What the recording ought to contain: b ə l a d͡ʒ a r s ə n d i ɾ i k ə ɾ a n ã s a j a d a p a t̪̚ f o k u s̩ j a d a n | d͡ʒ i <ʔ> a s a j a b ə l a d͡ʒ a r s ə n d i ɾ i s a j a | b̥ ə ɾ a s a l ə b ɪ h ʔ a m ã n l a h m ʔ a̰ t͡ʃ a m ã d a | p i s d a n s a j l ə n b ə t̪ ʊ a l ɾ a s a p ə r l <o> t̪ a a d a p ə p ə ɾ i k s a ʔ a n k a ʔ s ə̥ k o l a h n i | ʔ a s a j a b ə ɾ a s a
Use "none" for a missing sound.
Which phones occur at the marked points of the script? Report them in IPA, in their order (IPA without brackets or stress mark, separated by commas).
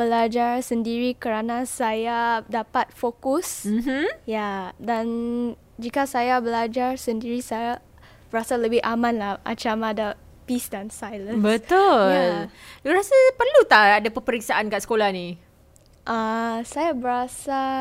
k, u